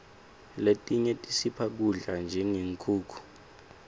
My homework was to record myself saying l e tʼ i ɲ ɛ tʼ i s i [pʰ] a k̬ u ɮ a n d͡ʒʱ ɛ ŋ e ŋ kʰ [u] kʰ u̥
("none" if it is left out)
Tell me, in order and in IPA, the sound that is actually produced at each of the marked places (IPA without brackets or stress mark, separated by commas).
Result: pʰ, uː